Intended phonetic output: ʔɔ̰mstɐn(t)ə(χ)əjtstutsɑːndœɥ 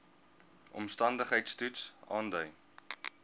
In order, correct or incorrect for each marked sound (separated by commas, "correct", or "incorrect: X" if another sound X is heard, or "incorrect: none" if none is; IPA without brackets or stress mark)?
incorrect: d, correct